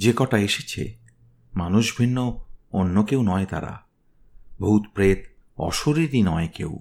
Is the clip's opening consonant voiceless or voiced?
voiced